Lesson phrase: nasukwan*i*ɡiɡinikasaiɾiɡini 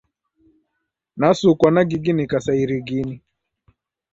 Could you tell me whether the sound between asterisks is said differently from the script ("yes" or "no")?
yes